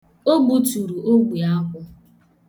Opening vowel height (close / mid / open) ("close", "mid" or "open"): mid